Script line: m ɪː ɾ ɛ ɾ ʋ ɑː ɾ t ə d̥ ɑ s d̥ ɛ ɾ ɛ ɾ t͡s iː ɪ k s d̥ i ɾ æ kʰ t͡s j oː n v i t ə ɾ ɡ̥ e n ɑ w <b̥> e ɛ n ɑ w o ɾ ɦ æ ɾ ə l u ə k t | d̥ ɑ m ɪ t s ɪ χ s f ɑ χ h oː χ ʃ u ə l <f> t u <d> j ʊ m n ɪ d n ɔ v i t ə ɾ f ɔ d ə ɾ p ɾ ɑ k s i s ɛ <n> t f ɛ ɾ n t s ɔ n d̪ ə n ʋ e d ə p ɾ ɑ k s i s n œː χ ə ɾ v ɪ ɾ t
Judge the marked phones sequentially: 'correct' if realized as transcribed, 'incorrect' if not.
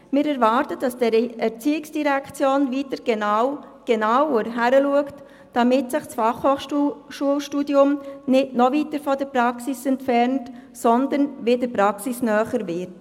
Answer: incorrect: ɡ̥, incorrect: ʃ, correct, correct

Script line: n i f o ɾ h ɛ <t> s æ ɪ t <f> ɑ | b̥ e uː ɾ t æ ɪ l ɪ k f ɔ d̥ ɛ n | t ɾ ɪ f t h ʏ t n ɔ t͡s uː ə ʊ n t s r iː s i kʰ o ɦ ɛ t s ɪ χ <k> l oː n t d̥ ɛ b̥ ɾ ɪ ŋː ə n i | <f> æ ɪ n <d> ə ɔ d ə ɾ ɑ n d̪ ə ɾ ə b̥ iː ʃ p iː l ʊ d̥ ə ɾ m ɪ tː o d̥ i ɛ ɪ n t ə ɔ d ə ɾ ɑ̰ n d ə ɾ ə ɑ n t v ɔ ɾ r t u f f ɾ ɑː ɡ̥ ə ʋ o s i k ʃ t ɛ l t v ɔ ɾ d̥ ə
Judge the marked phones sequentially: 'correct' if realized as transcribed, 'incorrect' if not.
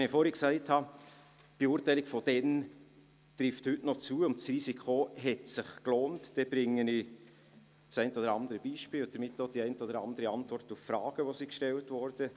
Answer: incorrect: k, incorrect: h, correct, incorrect: s, incorrect: t

